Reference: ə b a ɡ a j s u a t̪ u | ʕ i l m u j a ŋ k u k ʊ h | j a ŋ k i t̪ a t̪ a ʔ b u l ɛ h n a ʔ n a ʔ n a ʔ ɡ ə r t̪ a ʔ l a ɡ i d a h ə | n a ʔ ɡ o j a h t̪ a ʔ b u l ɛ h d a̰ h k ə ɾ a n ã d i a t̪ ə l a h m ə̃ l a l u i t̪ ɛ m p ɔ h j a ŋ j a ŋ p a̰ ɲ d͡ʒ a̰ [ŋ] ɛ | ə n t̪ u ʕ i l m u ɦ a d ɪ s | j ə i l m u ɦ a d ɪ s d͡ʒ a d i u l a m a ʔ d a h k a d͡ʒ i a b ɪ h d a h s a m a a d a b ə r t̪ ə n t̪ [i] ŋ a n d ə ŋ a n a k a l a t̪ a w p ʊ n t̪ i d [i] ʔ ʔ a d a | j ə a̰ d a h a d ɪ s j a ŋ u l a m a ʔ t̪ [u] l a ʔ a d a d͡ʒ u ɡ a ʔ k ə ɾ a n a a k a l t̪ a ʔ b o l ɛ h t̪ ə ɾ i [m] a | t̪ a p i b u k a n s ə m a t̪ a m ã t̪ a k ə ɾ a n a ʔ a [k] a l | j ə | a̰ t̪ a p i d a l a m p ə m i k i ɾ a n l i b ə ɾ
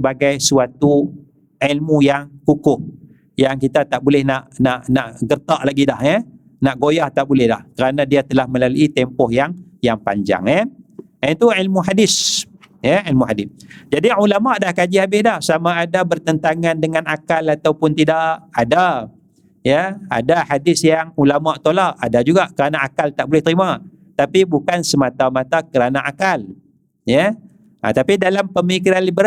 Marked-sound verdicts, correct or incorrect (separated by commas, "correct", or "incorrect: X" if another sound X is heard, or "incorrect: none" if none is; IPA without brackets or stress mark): correct, incorrect: a, incorrect: a, incorrect: o, correct, correct